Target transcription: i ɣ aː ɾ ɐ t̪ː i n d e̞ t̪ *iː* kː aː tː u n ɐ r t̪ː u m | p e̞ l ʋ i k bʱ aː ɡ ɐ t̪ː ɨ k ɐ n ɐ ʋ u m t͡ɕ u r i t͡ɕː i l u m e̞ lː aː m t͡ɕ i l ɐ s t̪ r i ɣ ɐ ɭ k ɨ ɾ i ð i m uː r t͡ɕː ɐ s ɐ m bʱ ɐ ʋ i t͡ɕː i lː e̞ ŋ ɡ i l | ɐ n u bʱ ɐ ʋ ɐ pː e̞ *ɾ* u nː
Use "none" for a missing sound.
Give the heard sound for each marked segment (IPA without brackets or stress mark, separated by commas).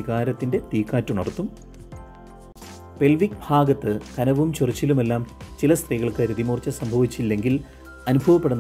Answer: iː, ɽ